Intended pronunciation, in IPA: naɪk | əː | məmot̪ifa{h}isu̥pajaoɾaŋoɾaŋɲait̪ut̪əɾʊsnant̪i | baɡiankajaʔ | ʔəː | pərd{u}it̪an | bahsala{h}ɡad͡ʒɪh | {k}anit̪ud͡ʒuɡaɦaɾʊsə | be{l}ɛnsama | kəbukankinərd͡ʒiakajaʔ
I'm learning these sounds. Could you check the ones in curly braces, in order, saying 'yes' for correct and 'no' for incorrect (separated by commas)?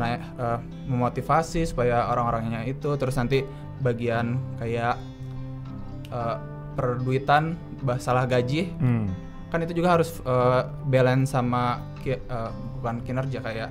no, yes, yes, yes, yes